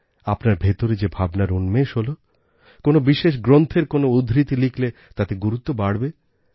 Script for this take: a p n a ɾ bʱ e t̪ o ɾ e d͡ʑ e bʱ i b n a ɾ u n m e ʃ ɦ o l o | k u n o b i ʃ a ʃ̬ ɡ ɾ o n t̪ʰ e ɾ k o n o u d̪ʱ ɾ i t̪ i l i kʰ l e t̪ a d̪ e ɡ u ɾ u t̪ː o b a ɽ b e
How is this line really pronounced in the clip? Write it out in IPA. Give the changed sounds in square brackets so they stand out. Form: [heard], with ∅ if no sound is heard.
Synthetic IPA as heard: a p n a ɾ bʱ e t̪ o ɾ e d͡ʑ e bʱ [a] b n a ɾ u n m e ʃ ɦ o l o | k [o] n o b i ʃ [e] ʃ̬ ɡ ɾ o n t̪ʰ e ɾ k o n o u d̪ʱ ɾ i t̪ i l i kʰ l e t̪ a [t̪] e ɡ u ɾ u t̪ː o b a ɽ b e